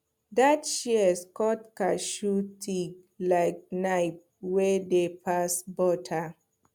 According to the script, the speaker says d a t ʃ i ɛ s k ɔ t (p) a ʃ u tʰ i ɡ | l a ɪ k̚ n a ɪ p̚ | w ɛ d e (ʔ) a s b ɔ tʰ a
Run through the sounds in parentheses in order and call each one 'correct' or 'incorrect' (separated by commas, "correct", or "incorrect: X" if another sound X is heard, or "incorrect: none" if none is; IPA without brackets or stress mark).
incorrect: k, incorrect: p